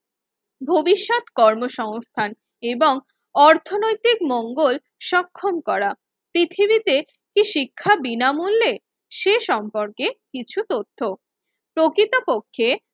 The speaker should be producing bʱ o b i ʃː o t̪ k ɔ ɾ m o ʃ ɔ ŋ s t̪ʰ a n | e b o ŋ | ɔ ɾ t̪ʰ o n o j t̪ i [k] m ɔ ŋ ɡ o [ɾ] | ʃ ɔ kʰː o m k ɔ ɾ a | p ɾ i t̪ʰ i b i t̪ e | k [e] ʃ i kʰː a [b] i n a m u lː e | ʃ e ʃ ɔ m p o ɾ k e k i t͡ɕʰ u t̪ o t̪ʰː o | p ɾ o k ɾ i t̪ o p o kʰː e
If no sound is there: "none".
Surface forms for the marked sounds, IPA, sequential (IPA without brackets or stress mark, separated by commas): k, l, i, b